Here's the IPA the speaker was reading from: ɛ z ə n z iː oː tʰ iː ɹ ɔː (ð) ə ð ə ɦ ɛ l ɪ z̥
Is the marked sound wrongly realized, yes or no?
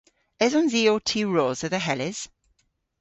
yes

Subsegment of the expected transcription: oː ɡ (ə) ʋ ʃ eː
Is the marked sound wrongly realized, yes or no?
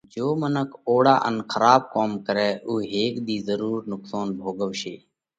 no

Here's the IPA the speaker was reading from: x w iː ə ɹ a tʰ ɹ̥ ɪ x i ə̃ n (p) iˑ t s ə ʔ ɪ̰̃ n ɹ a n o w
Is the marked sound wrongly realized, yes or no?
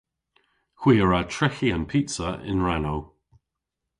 yes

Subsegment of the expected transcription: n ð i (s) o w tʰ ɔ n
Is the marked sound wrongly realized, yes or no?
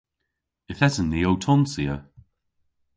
yes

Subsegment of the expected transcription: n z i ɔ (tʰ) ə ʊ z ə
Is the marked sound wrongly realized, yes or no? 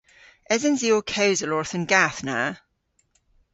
yes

